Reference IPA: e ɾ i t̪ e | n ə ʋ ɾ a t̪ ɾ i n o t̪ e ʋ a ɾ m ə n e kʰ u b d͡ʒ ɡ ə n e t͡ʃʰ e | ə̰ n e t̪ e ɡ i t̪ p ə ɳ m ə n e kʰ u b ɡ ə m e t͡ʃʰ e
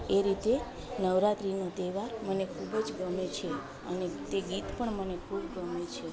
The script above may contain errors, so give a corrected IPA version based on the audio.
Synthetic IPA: e ɾ i t̪ e | n ə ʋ ɾ a t̪ ɾ i n o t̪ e ʋ a ɾ m ə n e kʰ u b d͡ʒ ɡ ə m e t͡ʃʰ e | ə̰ n e t̪ e ɡ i t̪ p ə ɳ m ə n e kʰ u b ɡ ə m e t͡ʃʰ e